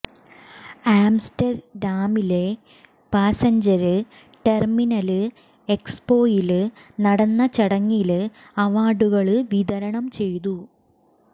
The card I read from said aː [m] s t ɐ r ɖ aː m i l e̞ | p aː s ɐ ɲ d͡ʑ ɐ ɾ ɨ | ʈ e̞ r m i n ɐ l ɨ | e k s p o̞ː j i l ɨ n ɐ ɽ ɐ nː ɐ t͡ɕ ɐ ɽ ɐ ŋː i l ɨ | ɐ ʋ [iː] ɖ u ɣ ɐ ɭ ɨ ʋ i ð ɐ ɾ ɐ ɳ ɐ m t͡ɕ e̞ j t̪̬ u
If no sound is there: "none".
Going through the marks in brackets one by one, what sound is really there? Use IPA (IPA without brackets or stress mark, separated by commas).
m, aː